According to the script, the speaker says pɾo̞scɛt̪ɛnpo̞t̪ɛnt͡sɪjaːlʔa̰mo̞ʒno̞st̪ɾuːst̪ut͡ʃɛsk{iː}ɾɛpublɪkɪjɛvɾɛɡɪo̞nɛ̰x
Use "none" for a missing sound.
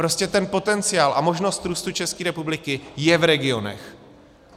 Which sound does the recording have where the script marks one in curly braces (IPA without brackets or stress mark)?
iː